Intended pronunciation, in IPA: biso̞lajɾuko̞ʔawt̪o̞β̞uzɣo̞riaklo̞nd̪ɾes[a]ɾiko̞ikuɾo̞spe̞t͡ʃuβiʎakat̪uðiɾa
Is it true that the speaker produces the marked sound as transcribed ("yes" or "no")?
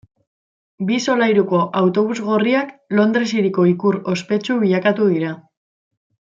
no